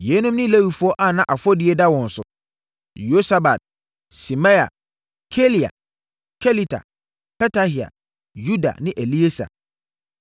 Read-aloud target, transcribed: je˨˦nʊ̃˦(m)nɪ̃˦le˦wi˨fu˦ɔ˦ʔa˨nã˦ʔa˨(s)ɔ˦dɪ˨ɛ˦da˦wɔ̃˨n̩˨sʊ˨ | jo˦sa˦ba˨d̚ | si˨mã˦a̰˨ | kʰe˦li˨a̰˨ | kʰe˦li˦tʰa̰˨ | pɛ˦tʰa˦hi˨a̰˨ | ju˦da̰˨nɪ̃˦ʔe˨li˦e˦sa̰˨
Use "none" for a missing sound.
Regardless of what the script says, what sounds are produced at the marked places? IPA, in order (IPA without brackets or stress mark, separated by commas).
m, f